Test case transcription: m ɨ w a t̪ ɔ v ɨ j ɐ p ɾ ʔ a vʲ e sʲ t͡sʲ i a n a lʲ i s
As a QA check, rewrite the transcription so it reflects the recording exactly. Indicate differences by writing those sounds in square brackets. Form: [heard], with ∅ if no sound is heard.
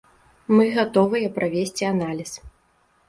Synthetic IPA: m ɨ [ɣ] a t̪ ɔ v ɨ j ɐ p ɾ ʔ a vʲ e sʲ t͡sʲ i a n a lʲ i s